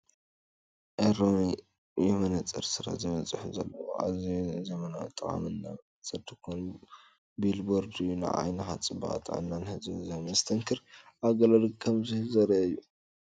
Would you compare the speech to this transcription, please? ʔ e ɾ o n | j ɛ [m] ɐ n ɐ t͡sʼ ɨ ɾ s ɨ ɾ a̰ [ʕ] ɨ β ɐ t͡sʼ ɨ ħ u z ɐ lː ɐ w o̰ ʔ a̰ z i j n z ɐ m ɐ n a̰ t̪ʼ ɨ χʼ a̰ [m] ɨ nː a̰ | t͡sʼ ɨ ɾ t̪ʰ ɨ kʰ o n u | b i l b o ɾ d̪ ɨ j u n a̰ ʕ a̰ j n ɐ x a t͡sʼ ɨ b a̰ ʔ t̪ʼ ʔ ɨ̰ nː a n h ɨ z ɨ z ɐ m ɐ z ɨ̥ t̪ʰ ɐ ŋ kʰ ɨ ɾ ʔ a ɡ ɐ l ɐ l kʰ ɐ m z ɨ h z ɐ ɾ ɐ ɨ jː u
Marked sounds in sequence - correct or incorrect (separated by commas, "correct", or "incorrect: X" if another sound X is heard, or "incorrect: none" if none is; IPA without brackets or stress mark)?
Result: correct, incorrect: z, correct